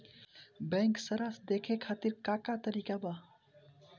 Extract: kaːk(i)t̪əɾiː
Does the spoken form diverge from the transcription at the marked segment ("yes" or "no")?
yes